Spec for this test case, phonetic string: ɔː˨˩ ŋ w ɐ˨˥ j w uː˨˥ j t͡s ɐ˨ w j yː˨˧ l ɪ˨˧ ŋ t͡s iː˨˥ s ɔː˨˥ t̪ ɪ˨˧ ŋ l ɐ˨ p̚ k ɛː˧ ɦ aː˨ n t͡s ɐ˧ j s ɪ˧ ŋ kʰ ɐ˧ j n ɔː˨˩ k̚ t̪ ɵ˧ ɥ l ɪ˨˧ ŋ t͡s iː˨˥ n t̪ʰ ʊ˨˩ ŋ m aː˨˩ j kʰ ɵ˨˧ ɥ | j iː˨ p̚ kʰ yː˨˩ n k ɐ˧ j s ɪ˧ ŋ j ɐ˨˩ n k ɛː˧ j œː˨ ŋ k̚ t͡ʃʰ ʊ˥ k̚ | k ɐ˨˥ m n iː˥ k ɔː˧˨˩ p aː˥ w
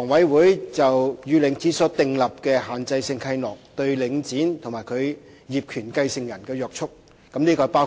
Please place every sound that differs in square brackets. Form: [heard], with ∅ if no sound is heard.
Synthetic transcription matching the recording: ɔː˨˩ ŋ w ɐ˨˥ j w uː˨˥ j t͡s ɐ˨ w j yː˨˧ l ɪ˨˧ ŋ t͡s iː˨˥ s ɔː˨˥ t̪ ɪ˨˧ ŋ l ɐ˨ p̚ k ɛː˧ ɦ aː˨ n t͡s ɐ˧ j s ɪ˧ ŋ kʰ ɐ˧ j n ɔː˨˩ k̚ t̪ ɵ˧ ɥ l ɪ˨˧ ŋ t͡s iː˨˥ n t̪ʰ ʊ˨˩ ŋ m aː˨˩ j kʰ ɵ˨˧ ɥ | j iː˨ p̚ kʰ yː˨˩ n k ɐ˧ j s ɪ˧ ŋ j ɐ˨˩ n k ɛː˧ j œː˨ [∅] k̚ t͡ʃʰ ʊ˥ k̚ | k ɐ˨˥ m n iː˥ k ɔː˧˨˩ p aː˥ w